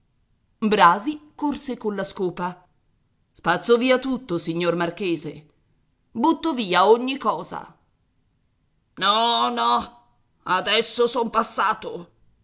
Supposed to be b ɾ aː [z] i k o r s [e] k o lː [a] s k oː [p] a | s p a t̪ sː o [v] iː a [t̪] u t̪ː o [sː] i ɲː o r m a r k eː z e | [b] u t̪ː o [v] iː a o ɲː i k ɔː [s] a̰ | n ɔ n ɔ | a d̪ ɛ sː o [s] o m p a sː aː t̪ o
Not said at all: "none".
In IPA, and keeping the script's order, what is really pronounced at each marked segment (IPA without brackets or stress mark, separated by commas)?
z, e, a, p, v, t̪, s, b, v, z, s